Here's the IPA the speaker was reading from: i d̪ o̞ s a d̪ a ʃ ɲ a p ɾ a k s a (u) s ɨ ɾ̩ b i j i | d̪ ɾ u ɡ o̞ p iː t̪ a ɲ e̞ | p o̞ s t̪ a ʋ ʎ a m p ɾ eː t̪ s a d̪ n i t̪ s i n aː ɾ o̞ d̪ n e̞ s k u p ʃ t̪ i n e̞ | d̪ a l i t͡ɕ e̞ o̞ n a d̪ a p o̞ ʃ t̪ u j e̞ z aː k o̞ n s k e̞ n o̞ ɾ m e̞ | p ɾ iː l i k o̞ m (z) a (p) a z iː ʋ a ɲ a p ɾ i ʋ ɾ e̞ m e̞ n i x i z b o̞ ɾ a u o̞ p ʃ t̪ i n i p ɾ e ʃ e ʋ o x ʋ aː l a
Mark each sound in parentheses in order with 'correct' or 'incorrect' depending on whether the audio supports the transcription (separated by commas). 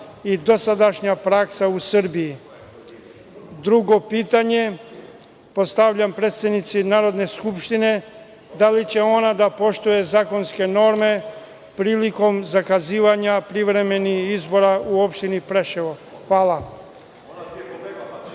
correct, correct, incorrect